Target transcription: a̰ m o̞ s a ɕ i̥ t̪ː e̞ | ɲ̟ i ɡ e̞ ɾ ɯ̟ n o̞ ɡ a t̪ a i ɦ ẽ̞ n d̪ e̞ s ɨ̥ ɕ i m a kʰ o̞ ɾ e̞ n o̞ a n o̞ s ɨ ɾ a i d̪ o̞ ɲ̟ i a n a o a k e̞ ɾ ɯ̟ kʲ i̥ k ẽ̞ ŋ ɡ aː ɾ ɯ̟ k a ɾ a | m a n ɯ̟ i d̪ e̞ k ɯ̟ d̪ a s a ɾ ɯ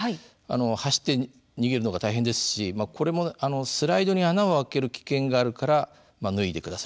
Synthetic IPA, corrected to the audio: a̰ n o̞ h a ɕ i̥ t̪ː e̞ | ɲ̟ i ɡ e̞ ɾ ɯ̟ n o̞ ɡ a t̪ a i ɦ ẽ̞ n d̪ e̞ s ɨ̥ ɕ i m a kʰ o̞ ɾ e̞ m o̞ a n o̞ s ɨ ɾ a i d̪ o̞ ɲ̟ i a n a o a k e̞ ɾ ɯ̟ kʲ i̥ k ẽ̞ ŋ ɡ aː ɾ ɯ̟ k a ɾ a | m a n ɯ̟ i d̪ e̞ k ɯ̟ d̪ a s a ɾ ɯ